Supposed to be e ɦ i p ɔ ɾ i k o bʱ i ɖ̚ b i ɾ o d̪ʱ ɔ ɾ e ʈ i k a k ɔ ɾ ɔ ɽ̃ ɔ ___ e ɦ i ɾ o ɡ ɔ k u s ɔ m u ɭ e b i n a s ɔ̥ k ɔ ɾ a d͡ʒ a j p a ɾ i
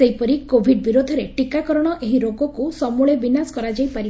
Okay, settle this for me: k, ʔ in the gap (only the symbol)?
ʔ